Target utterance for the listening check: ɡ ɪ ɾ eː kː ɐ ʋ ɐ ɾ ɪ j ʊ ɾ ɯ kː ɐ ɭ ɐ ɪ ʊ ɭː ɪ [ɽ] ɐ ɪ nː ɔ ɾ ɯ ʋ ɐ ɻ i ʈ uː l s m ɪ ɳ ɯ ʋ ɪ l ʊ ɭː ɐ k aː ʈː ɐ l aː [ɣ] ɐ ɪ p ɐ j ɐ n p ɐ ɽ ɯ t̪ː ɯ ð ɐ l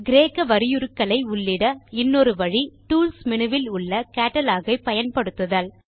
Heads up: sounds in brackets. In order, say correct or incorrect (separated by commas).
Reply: correct, correct